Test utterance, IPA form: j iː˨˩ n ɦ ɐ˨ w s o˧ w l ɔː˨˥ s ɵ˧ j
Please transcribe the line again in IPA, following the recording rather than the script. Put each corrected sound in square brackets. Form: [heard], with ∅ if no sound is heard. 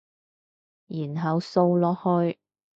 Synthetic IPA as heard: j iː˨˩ n ɦ ɐ˨ w s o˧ w l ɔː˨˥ [h] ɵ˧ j